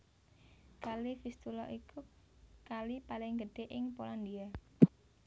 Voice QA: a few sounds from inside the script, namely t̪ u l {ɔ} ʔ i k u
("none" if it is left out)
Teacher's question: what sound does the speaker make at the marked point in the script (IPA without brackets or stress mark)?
ɔ